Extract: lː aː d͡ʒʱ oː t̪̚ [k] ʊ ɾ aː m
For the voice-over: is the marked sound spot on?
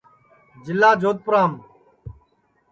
no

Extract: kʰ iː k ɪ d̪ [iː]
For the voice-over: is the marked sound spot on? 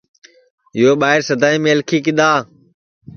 no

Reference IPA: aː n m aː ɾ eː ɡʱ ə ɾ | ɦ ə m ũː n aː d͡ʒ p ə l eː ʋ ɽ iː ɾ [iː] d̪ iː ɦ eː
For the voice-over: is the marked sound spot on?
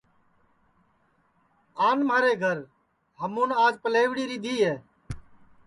yes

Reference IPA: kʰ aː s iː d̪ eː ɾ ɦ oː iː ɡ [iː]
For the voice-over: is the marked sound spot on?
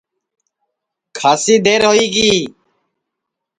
yes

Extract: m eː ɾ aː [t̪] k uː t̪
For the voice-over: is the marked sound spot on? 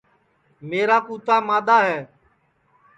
no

